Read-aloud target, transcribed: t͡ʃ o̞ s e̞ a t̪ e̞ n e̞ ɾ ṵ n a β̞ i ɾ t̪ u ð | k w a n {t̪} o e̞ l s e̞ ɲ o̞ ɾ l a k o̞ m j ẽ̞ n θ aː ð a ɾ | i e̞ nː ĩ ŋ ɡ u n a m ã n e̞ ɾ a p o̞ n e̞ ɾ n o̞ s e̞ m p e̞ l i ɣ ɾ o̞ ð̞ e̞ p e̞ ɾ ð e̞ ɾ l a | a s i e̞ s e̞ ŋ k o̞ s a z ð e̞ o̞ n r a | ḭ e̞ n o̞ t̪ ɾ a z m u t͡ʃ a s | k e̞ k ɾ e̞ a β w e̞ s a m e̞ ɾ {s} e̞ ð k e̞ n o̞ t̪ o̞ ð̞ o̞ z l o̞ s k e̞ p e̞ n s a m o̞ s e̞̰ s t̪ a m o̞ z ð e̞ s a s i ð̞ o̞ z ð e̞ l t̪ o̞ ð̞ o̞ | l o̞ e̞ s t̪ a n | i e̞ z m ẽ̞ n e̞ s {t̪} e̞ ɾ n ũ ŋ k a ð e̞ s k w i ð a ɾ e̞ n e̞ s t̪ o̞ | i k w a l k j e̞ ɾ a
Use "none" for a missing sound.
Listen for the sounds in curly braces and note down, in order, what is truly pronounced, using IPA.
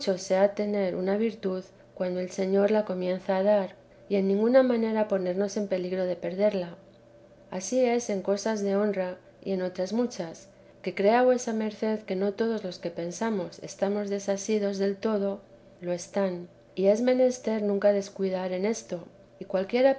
d̪, θ, t̪

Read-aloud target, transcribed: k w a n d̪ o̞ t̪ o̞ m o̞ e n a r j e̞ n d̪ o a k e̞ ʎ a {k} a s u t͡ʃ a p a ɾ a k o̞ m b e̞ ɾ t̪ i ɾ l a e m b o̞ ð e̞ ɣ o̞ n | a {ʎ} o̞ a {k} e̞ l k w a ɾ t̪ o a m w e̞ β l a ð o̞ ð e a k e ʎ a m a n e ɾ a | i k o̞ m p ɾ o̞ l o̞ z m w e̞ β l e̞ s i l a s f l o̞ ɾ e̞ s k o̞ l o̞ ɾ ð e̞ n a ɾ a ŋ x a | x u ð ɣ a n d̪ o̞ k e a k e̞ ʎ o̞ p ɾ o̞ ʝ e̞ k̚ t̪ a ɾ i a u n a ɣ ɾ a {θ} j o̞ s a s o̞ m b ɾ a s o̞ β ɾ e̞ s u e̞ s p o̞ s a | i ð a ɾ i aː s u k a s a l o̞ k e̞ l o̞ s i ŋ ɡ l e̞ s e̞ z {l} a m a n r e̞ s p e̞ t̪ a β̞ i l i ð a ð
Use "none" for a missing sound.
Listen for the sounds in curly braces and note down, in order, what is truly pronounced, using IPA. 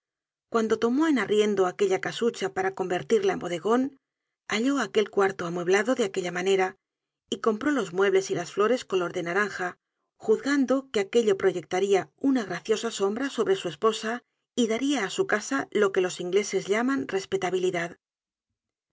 k, ʎ, k, θ, ʎ

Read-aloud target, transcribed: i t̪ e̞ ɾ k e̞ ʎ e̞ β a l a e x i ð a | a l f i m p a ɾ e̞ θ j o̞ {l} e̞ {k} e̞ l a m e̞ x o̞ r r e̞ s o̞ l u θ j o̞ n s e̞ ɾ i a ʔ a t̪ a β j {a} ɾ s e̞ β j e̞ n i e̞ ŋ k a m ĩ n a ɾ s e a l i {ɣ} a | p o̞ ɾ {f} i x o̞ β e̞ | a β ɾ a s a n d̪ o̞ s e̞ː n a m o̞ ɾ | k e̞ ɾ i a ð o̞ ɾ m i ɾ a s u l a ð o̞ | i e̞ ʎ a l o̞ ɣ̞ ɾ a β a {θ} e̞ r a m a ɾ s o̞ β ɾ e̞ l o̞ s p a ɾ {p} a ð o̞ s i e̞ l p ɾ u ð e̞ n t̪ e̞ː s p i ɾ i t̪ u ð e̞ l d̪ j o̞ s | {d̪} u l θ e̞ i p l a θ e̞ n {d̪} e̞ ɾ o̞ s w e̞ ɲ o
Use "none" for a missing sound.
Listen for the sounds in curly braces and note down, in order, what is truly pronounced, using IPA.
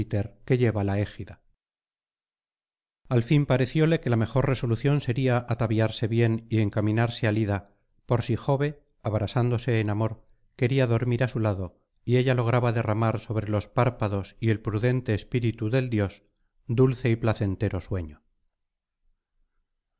l, k, a, ð, s, ð, p, d̪, t̪

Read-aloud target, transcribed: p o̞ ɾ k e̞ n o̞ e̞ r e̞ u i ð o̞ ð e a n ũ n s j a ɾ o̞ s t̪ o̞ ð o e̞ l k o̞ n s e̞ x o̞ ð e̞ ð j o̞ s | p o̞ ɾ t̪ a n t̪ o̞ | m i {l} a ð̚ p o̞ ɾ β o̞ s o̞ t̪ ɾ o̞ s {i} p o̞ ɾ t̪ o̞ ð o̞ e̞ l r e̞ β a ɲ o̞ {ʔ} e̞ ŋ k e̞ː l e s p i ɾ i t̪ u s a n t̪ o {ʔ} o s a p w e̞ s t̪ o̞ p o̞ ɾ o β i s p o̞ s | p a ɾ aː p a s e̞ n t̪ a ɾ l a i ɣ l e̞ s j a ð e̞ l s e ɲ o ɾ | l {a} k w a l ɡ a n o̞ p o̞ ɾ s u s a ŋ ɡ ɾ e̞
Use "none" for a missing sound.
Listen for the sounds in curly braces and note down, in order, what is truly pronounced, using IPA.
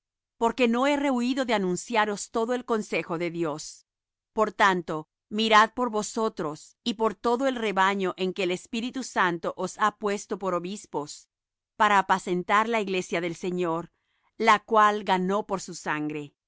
ɾ, i, ʔ, ʔ, a

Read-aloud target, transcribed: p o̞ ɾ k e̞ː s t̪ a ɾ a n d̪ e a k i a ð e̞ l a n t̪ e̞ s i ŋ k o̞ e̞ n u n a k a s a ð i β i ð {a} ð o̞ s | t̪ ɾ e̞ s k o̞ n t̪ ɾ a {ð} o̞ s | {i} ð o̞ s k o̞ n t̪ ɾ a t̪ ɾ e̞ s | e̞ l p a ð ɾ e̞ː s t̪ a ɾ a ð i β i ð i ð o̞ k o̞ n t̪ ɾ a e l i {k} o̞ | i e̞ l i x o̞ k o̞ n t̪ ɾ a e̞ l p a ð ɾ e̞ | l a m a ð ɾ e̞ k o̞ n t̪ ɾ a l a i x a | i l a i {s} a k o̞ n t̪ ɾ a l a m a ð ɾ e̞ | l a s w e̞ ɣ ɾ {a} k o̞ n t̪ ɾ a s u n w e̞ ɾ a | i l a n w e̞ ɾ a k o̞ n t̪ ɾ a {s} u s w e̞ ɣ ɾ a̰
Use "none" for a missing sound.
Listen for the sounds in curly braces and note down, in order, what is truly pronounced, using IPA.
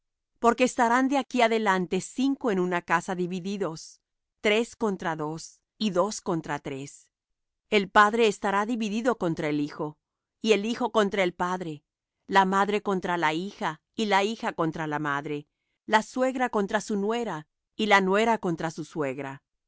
i, ð, i, x, x, a, s

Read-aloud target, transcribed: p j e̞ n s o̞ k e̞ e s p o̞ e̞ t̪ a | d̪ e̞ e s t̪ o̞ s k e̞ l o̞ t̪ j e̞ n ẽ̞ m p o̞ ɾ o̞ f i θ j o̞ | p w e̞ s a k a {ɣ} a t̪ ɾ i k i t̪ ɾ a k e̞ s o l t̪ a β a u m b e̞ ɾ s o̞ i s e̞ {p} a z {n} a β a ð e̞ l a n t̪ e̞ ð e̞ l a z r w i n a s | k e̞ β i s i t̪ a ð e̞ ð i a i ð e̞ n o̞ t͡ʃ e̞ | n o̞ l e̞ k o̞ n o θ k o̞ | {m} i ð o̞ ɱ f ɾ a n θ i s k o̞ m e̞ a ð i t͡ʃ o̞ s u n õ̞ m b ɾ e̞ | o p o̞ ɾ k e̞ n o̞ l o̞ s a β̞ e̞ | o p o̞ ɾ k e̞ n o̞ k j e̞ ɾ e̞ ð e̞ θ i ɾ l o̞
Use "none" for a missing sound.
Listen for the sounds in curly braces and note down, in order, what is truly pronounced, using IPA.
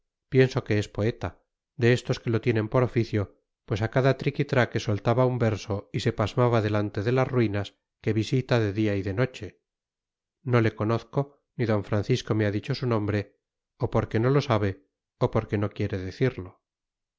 ð, p, m, n

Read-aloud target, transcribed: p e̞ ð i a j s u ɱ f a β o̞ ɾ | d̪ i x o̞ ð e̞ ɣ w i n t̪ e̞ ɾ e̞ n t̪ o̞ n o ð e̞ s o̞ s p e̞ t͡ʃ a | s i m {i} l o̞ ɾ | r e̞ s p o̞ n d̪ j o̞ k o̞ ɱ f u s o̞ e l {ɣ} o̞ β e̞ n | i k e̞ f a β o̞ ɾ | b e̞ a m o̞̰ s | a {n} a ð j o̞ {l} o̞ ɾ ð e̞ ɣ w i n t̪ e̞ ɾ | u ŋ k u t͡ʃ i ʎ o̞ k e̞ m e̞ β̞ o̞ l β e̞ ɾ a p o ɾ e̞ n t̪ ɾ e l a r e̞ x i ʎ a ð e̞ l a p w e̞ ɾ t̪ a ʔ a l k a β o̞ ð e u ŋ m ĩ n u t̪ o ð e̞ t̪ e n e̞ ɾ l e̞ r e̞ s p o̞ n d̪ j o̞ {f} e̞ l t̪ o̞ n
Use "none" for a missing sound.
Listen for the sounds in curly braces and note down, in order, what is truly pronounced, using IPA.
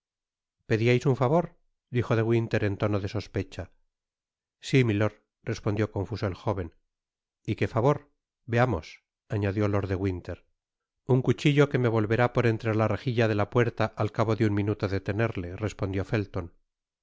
i, x, ɲ, l, f

